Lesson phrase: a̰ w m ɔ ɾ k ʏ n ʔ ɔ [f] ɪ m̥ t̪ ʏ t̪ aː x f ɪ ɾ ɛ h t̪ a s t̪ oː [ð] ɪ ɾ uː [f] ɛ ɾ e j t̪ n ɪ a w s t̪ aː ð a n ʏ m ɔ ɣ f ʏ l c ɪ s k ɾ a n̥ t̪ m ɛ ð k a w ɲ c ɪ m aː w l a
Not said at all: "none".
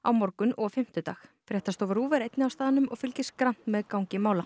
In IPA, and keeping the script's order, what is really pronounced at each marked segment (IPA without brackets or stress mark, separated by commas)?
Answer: f, v, v